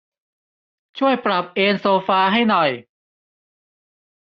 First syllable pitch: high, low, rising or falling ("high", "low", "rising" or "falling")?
falling